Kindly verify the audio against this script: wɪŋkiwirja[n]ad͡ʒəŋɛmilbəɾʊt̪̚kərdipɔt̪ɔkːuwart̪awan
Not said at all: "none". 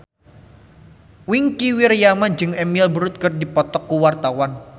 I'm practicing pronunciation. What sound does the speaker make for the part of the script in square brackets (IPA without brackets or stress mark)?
m